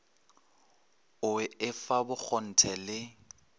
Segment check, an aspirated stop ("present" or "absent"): present